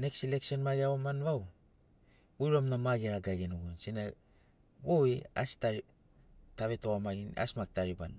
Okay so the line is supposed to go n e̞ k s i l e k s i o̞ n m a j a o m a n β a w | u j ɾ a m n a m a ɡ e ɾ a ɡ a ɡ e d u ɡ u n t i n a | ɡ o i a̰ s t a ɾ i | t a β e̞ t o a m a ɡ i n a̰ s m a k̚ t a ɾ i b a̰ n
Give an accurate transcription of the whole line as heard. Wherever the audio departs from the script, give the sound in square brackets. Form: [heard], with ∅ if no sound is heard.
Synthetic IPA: n e̞ k s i l e k s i o̞ n m a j a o m a n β a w | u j ɾ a m n a m a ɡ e ɾ a ɡ a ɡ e [n] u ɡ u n [s] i n a | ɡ o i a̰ s t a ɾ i | t a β e̞ t o a m a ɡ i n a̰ s m a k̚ t a ɾ i b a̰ n